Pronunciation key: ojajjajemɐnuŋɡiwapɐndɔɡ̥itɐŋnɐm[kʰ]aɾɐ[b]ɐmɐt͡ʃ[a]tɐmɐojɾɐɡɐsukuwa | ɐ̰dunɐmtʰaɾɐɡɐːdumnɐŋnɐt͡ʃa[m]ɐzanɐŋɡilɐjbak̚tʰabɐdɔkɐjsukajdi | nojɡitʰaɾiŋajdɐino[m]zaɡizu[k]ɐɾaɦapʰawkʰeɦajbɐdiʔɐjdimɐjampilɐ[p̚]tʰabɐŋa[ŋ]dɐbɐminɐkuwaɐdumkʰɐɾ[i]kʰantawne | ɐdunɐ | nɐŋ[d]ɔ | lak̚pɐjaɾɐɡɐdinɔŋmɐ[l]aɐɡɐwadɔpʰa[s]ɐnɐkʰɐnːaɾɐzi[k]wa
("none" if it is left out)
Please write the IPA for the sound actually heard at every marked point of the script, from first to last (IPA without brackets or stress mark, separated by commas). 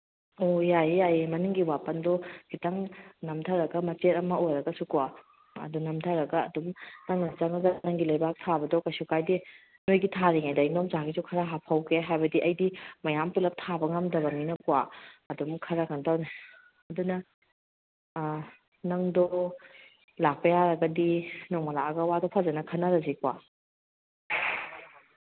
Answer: tʰ, ɡ, e, ŋ, m, kʰ, p̚, m, a, d, l, z, k